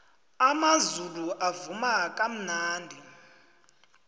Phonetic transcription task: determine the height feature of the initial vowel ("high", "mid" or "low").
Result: low